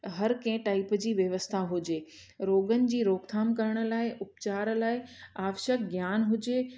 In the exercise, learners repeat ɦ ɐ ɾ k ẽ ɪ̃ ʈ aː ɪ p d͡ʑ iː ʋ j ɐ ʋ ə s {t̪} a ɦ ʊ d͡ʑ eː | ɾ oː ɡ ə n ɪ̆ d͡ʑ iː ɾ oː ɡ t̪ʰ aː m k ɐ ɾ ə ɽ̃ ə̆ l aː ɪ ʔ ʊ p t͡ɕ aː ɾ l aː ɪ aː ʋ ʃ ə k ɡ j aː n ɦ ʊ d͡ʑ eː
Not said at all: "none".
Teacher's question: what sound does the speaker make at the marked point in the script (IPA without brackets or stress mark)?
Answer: t̪ʰ